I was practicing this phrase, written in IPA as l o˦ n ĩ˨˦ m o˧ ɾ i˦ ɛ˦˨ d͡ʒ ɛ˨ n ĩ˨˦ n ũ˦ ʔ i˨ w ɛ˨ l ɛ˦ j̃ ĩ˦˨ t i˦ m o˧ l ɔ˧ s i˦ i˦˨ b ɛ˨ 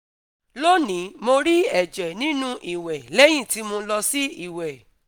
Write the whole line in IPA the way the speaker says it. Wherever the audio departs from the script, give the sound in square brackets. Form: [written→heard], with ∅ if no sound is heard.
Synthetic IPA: l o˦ n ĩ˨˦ m o˧ ɾ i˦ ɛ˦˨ d͡ʒ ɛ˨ n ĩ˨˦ n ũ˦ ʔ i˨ w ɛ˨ l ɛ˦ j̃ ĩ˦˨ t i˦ m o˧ l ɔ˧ s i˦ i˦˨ [b→w] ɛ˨